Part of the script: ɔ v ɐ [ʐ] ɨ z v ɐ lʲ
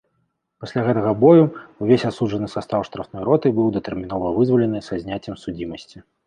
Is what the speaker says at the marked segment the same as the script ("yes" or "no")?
no